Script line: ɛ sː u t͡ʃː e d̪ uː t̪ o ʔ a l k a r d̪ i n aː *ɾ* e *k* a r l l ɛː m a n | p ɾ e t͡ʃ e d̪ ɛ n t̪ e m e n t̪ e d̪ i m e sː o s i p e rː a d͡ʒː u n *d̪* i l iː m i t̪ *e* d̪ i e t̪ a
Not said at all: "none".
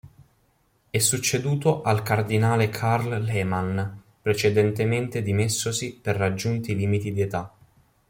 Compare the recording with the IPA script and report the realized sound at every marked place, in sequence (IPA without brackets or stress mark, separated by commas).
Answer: l, kʰ, t̪, i